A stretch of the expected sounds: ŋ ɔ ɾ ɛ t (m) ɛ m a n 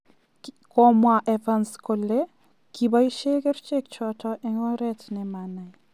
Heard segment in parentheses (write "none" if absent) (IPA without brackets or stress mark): n